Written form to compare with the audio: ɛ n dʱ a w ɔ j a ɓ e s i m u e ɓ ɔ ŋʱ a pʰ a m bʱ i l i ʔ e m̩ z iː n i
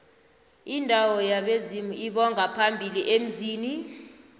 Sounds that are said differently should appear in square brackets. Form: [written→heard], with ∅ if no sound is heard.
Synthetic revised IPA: [ɛ→i] n dʱ a w ɔ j a ɓ e [s→z] i m u [e→i] ɓ ɔ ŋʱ a pʰ a m bʱ i l i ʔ e m̩ z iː n i